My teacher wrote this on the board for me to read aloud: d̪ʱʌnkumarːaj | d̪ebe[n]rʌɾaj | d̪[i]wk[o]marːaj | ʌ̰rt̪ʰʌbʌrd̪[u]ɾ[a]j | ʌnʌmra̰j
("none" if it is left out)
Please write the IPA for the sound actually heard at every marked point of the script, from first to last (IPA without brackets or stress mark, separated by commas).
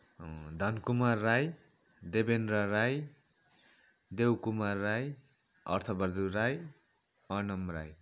n, e, u, u, a